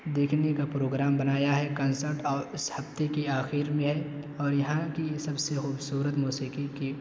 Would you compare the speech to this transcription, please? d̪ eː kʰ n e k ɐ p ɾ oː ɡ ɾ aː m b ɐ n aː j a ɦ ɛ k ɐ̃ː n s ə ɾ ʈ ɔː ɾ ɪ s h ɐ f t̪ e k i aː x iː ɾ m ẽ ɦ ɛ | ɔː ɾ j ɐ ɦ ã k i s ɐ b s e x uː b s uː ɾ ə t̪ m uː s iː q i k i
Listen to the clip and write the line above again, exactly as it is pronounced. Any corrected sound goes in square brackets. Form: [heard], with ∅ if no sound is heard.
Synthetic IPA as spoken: d̪ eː kʰ n e k [a] p ɾ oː ɡ ɾ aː m b ɐ n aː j a ɦ ɛ k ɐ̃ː n s ə ɾ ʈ ɔː ɾ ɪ s h ɐ f t̪ e k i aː x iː ɾ m ẽ ɦ ɛ | ɔː ɾ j ɐ ɦ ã k i s ɐ b s e x uː b s uː ɾ ə t̪ m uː s iː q i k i